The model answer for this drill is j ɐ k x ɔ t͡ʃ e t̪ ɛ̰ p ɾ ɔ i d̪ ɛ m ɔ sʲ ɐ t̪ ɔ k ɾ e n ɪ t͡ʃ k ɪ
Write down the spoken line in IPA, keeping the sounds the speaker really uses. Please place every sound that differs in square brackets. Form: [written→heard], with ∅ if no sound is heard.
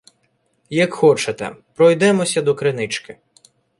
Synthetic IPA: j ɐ k x ɔ t͡ʃ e t̪ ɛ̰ p ɾ ɔ [i→j] d̪ ɛ m ɔ sʲ ɐ [t̪→d̪] ɔ k ɾ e n ɪ t͡ʃ k ɪ